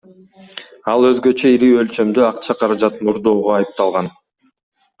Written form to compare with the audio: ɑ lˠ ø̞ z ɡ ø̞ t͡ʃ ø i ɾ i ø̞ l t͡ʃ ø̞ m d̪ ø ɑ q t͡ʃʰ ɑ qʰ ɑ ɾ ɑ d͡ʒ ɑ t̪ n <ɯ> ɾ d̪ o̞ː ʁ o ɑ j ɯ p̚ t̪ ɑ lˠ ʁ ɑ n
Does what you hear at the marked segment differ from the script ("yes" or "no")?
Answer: yes